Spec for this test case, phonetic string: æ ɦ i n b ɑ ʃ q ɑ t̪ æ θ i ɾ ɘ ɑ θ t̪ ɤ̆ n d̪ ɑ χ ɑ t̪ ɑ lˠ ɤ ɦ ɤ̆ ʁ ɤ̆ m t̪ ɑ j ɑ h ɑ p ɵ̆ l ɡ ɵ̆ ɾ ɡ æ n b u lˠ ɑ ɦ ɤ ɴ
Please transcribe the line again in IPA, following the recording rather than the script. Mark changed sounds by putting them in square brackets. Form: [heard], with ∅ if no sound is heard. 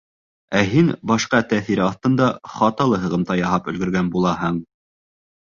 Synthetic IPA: æ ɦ i n b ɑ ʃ q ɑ t̪ æ θ i ɾ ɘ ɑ θ t̪ ɤ̆ n d̪ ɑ χ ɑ t̪ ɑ lˠ ɤ ɦ ɤ̆ ʁ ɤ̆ m t̪ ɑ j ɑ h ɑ p ɵ̆ l ɡ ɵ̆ ɾ ɡ æ n b u lˠ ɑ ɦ ɤ ɴ